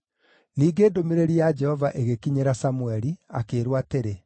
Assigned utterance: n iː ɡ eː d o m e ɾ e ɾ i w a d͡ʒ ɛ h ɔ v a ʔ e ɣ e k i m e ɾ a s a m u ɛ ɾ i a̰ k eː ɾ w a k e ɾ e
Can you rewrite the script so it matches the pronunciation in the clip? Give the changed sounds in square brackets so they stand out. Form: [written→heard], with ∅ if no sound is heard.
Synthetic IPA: n iː ɡ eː d o m e ɾ e ɾ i [w→∅] a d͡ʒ ɛ h ɔ v a ʔ e ɣ e k i [m→ɲ] e ɾ a s a m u ɛ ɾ i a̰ k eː ɾ w a [k→t] e ɾ e